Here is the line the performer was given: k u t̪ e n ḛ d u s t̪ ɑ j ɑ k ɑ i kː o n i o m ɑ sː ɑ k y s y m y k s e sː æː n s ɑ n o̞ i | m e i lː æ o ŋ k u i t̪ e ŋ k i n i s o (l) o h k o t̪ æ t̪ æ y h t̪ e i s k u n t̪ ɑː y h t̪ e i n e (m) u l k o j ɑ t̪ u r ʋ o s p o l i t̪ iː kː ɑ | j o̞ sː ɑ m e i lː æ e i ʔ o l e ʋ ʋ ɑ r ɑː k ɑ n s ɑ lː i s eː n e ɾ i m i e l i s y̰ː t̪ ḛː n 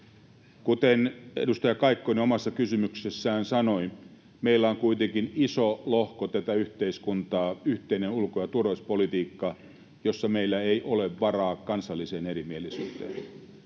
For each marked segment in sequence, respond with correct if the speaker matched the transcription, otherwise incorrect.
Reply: correct, incorrect: n

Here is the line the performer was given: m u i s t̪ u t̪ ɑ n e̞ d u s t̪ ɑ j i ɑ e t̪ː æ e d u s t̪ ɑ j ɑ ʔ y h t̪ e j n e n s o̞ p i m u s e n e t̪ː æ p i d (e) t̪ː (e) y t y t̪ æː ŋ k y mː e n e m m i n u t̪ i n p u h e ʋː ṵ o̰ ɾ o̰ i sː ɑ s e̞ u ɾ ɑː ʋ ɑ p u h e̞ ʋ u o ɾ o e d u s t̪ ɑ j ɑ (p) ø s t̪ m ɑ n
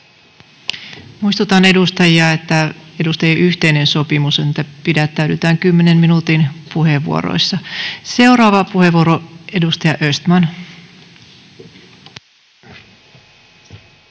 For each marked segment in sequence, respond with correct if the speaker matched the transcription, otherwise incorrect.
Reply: incorrect: æ, incorrect: æ, incorrect: ʔ

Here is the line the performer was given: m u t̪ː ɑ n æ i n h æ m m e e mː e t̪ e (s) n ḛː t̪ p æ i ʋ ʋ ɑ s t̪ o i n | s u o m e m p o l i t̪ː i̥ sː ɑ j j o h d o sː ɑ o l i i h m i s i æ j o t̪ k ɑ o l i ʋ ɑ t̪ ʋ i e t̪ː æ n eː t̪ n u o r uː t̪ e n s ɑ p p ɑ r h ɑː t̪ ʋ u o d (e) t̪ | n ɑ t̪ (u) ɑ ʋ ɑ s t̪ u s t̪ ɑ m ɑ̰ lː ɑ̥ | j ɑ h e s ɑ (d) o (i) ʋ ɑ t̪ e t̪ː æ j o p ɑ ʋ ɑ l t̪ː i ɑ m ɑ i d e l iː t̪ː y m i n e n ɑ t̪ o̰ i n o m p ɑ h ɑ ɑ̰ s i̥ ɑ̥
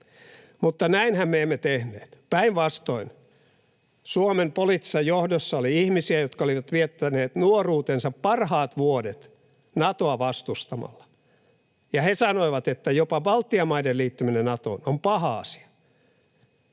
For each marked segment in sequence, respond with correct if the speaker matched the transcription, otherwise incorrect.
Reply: incorrect: h, correct, incorrect: o, incorrect: n, correct

